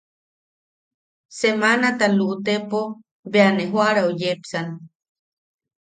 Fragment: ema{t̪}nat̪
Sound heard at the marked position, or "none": none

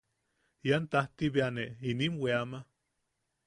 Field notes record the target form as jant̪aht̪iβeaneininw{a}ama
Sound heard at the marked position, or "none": e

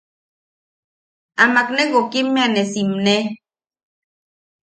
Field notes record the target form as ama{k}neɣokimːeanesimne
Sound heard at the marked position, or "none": k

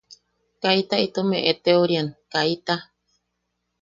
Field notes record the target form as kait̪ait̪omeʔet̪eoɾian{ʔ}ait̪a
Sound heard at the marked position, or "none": k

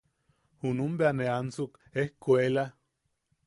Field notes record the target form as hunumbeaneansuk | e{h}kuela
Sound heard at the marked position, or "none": h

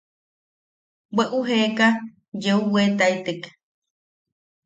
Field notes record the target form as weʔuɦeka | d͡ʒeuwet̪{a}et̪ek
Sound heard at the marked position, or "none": a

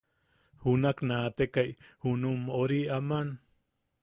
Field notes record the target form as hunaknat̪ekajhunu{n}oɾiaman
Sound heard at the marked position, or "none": m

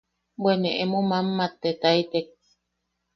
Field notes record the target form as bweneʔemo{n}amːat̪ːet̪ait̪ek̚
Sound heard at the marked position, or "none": m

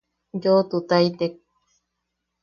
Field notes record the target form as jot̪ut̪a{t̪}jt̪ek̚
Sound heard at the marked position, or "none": none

